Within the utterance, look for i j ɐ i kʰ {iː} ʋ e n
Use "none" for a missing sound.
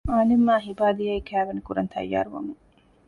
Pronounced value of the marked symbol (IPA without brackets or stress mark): æː